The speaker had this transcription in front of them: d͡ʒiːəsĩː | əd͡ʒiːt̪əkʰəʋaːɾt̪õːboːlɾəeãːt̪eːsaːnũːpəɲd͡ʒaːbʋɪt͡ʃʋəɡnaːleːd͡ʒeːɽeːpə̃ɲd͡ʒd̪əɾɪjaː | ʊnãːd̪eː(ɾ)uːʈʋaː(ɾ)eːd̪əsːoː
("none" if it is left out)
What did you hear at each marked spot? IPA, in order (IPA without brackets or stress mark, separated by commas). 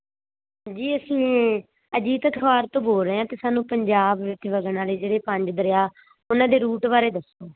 ɾ, ɾ